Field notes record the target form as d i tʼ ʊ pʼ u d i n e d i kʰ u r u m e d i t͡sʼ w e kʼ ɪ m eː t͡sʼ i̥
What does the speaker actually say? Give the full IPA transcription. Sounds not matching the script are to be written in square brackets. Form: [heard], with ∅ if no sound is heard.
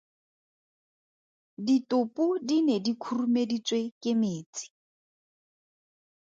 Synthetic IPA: d i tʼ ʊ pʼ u d i n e d i kʰ u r u m e d i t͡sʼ w e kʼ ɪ m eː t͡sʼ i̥